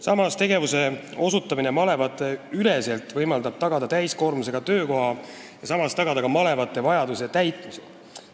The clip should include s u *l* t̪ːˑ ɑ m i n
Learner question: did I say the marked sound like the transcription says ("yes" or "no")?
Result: no